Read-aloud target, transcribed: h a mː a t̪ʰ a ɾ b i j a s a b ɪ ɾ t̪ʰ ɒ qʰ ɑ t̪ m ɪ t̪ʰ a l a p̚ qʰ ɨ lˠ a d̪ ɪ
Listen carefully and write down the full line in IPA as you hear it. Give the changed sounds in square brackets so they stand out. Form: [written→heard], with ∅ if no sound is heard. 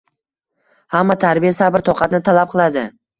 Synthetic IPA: h a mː a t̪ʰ a ɾ b i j a s a b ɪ ɾ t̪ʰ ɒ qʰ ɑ t̪ [m→n] ɪ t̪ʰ a l a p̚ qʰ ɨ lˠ a d̪ ɪ